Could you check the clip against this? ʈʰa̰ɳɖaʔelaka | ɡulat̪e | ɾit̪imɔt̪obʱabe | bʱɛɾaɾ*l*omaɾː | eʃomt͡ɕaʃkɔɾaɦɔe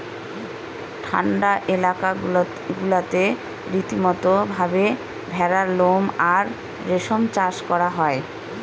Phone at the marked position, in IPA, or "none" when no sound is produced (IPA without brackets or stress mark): l